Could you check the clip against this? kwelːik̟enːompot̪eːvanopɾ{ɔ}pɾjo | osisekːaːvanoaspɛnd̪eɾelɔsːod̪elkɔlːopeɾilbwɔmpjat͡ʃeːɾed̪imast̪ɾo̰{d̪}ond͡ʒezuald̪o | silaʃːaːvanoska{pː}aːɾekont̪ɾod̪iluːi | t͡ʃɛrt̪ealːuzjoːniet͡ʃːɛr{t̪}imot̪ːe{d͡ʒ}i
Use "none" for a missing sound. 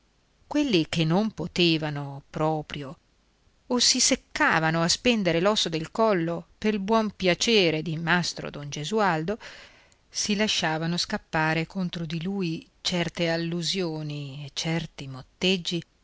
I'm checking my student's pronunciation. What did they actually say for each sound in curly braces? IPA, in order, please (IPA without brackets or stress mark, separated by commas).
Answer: ɔː, d̪, pː, t̪, d͡ʒː